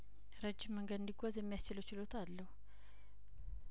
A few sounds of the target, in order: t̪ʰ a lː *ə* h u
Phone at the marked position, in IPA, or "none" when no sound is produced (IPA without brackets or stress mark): ə